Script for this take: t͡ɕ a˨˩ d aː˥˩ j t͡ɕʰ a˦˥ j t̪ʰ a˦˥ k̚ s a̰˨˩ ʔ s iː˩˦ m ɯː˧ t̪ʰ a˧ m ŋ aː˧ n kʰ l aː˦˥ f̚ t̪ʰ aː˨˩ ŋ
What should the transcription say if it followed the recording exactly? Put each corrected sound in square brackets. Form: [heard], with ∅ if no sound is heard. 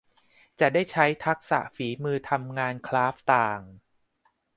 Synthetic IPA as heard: t͡ɕ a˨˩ d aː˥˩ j t͡ɕʰ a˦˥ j t̪ʰ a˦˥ k̚ s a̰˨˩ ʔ [f] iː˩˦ m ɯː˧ t̪ʰ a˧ m ŋ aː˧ n kʰ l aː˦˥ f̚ [t̪] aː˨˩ ŋ